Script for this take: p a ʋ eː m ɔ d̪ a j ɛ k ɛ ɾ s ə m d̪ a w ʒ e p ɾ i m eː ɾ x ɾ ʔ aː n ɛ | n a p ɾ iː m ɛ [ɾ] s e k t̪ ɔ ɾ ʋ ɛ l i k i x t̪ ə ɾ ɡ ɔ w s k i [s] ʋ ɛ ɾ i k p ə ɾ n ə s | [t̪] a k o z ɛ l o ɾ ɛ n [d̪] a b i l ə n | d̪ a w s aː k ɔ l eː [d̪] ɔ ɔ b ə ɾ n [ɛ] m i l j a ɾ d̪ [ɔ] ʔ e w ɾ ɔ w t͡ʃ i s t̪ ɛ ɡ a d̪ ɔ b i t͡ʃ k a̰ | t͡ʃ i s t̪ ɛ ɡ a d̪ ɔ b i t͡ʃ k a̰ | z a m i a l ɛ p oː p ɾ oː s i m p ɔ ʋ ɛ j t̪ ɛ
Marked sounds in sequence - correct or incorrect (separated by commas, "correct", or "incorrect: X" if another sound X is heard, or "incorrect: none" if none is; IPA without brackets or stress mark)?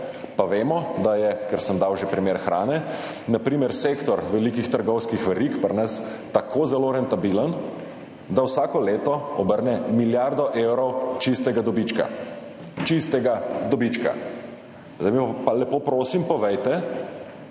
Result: correct, incorrect: x, correct, incorrect: t̪, incorrect: t̪, correct, correct